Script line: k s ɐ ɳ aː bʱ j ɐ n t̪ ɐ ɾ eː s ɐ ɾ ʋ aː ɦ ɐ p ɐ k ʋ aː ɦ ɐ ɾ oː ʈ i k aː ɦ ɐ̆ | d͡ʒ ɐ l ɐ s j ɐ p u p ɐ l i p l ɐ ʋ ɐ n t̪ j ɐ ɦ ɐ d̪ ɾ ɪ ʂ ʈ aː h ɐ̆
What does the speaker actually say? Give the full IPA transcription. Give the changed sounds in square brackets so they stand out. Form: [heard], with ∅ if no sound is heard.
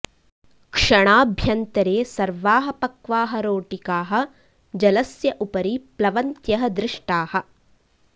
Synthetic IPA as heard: k [ʂ] ɐ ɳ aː bʱ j ɐ n t̪ ɐ ɾ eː s ɐ ɾ ʋ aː ɦ ɐ p ɐ k ʋ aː ɦ ɐ ɾ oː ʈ i k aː ɦ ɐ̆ | d͡ʒ ɐ l ɐ s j ɐ [ʔ] u p ɐ [ɾ] i p l ɐ ʋ ɐ n t̪ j ɐ ɦ ɐ d̪ ɾ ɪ ʂ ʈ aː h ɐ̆

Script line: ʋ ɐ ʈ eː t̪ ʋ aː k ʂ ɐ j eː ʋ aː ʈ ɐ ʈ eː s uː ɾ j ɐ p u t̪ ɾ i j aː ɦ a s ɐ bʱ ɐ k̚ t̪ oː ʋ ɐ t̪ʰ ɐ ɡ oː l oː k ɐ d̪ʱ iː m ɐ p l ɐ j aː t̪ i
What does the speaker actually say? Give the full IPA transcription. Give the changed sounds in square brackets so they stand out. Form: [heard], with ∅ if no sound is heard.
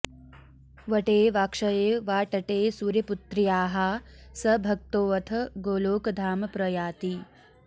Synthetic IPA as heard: ʋ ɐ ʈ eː [∅] ʋ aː k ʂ ɐ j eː ʋ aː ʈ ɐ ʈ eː s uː ɾ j ɐ p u t̪ ɾ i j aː ɦ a s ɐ bʱ ɐ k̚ t̪ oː ʋ ɐ t̪ʰ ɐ ɡ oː l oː k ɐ d̪ʱ [aː] m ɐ p [ɾ] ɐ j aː t̪ i

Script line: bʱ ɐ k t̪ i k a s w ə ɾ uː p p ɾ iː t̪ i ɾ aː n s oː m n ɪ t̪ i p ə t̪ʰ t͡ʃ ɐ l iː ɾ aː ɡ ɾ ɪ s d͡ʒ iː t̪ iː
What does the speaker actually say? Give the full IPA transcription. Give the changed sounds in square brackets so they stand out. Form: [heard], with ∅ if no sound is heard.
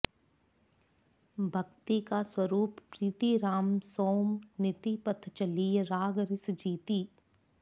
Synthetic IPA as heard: bʱ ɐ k t̪ i k a s w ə ɾ uː p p ɾ iː t̪ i ɾ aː [m] s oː m n ɪ t̪ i p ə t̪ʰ t͡ʃ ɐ l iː ɾ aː ɡ ɾ ɪ s d͡ʒ iː t̪ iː

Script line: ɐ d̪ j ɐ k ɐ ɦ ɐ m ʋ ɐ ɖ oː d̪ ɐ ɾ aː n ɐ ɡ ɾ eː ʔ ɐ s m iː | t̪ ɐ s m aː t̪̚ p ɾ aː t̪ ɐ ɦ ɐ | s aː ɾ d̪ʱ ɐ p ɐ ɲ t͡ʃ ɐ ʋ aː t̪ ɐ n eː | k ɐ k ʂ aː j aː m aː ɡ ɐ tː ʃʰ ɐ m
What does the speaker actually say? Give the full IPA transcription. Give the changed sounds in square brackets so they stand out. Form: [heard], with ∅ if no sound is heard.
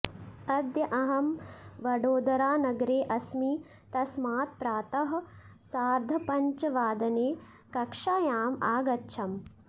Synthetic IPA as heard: ɐ d̪ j ɐ [ʔ] ɐ ɦ ɐ m ʋ ɐ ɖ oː d̪ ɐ ɾ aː n ɐ ɡ ɾ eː ʔ ɐ s m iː | t̪ ɐ s m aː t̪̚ p ɾ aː t̪ ɐ ɦ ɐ | s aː ɾ d̪ʱ ɐ p ɐ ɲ t͡ʃ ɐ ʋ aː [d̪] ɐ n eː | k ɐ k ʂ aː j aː m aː ɡ ɐ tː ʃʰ ɐ m

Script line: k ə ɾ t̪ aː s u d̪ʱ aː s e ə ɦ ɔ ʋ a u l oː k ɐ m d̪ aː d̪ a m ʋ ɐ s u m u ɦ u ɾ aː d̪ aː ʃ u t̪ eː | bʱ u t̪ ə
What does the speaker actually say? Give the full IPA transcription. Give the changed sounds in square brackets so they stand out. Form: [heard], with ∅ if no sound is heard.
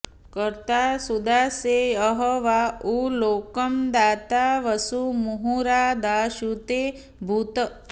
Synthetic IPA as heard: k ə ɾ t̪ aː s u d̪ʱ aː s e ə ɦ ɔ ʋ a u l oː k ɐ m d̪ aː [t̪] a [∅] ʋ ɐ s u m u ɦ u ɾ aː d̪ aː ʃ u t̪ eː | bʱ u t̪ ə

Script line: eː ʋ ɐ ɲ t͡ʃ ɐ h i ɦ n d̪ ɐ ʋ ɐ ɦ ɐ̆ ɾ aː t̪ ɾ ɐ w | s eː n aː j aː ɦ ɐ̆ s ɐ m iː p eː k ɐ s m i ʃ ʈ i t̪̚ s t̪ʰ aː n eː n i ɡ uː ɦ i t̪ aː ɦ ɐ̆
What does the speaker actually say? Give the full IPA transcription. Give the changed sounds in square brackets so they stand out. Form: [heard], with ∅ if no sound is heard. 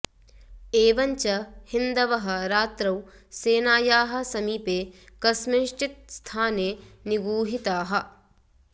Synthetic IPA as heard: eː ʋ ɐ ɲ t͡ʃ ɐ h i [∅] n d̪ ɐ ʋ ɐ ɦ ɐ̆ ɾ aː t̪ ɾ ɐ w | s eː n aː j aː ɦ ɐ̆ s ɐ m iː p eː k ɐ s m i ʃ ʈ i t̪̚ s t̪ʰ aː n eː n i ɡ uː ɦ i t̪ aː ɦ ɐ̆

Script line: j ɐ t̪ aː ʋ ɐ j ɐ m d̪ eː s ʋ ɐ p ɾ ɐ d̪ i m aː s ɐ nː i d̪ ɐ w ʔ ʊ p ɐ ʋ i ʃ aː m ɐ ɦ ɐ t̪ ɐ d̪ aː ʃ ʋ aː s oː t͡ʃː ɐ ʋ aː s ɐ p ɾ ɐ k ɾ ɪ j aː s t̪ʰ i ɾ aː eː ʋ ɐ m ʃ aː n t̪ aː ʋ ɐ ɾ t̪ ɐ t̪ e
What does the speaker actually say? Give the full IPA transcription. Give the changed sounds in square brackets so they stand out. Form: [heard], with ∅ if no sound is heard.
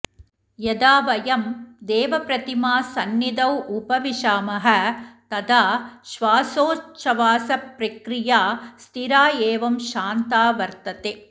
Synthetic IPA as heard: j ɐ [d̪] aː ʋ ɐ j ɐ m d̪ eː [∅] ʋ ɐ p ɾ ɐ [t̪] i m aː s ɐ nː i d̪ ɐ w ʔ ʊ p ɐ ʋ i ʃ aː m ɐ ɦ ɐ t̪ ɐ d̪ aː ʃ ʋ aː s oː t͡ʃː ɐ ʋ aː s ɐ p ɾ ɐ k ɾ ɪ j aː s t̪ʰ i ɾ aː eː ʋ ɐ m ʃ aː n t̪ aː ʋ ɐ ɾ t̪ ɐ t̪ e

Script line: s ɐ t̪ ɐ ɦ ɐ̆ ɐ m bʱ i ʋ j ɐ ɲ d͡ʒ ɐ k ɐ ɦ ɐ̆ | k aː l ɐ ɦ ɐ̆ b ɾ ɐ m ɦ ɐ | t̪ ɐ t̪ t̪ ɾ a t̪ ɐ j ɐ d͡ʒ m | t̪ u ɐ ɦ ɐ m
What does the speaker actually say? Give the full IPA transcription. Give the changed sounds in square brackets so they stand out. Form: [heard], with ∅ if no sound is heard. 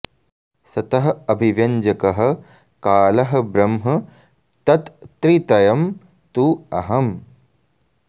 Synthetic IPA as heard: s ɐ t̪ ɐ ɦ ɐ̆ ɐ [∅] bʱ i ʋ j ɐ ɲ d͡ʒ ɐ k ɐ ɦ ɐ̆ | k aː l ɐ ɦ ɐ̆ b ɾ ɐ m ɦ ɐ | t̪ ɐ t̪ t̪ ɾ [i] t̪ ɐ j ɐ [∅] m | t̪ u ɐ ɦ ɐ m

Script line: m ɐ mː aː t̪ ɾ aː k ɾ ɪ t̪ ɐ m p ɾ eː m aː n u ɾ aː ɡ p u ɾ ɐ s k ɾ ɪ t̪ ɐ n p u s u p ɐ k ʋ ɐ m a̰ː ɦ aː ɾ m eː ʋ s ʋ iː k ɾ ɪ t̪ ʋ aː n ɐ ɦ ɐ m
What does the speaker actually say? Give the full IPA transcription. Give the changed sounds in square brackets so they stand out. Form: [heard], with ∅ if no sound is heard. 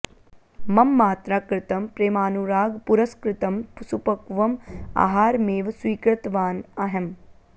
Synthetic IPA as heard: m ɐ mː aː t̪ ɾ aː k ɾ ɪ t̪ ɐ m p ɾ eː m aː n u ɾ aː ɡ p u ɾ ɐ s k ɾ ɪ t̪ ɐ [m] p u s u p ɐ k ʋ ɐ m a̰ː ɦ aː ɾ m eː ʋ s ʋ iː k ɾ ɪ t̪ ʋ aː n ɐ ɦ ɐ m

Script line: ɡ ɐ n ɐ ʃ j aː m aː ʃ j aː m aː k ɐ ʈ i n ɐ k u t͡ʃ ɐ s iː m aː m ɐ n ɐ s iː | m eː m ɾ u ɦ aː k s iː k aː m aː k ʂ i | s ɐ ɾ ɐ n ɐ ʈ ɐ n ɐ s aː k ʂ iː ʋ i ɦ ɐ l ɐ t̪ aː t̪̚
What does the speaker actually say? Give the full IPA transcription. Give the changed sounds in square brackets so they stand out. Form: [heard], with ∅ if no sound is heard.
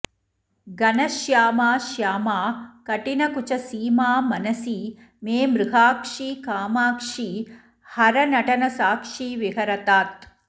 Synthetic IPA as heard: ɡ ɐ n ɐ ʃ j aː m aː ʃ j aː m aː k ɐ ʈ i n ɐ k u t͡ʃ ɐ s iː m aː m ɐ n ɐ s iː | m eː m ɾ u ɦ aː k [ʂ] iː k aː m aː k ʂ i | [h] ɐ ɾ ɐ n ɐ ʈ ɐ n ɐ s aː k ʂ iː ʋ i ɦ ɐ [ɾ] ɐ t̪ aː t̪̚

